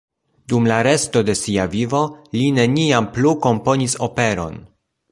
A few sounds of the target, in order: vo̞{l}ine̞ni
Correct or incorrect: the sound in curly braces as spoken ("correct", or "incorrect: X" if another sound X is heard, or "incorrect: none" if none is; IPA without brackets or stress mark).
correct